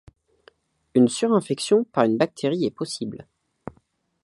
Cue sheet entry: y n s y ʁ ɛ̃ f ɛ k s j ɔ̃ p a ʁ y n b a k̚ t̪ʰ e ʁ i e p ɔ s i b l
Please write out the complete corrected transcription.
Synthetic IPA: y n s y ʁ ɛ̃ f ɛ k s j ɔ̃ p a ʁ y n b a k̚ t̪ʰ e ʁ i ɛ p ɔ s i b l